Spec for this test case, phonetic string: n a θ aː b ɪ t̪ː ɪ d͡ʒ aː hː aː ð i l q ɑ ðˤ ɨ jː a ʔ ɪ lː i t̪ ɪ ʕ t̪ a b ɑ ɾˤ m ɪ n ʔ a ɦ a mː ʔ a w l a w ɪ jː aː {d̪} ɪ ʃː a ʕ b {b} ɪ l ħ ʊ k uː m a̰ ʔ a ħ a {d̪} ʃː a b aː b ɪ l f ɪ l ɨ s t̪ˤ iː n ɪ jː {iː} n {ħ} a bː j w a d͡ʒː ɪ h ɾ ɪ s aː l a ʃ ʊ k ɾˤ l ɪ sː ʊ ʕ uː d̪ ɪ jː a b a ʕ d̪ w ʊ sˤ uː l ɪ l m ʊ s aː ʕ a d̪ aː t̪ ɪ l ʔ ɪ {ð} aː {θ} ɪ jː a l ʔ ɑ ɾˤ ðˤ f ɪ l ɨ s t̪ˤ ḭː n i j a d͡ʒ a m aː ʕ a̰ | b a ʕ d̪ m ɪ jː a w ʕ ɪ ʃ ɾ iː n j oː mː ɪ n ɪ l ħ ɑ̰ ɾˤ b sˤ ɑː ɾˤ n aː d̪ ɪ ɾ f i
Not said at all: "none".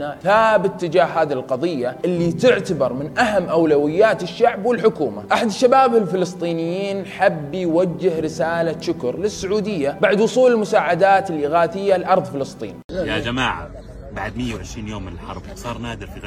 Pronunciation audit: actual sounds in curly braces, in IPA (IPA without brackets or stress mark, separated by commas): t̪, w, d̪, iː, ħ, ɣ, θ